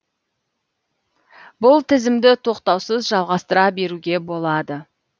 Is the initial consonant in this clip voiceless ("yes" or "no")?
no